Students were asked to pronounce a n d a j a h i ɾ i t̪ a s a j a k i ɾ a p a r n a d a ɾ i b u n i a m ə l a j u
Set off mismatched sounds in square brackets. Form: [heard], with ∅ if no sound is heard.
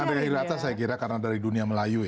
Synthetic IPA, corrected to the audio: a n d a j a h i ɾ [a] t̪ a s a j a k i ɾ a [k] a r n a d a ɾ i [d] u n i a m ə l a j u